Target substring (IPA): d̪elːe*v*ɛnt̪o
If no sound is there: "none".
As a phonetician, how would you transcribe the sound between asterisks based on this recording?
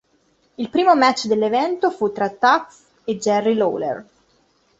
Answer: v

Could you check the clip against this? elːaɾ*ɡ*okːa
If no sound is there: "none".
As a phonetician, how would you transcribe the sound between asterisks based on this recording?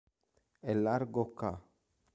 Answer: ɡ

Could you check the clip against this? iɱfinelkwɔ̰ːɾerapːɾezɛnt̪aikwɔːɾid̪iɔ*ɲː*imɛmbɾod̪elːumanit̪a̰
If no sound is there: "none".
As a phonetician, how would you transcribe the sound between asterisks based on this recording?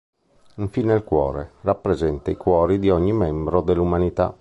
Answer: ɲː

